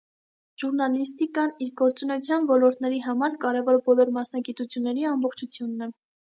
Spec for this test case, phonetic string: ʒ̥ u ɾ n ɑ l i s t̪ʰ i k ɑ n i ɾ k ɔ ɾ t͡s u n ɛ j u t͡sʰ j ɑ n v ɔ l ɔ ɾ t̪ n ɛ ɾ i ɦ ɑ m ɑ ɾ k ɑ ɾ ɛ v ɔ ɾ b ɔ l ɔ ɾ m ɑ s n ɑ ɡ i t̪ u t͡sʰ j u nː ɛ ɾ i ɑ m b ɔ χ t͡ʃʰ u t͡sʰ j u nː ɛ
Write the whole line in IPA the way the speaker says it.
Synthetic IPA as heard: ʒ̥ u ɾ n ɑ l i s t̪ i k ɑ n i ɾ ɡ ɔ ɾ t͡s u n ɛ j u t͡sʰ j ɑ n v ɔ l ɔ ɾ t̪ n ɛ ɾ i ɦ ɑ m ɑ ɾ k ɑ ɾ ɛ v ɔ ɾ b ɔ l ɔ ɾ m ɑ s n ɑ ɡ i t̪ u t͡sʰ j u nː ɛ ɾ i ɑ m b ɔ χ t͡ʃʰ u t͡sʰ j u nː ɛ